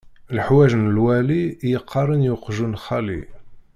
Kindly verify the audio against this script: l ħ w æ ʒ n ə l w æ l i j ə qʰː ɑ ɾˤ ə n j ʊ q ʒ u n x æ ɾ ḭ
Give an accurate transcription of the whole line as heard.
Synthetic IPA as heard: l ħ w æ ʒ n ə l w æ l i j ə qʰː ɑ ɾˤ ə n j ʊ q ʒ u n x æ l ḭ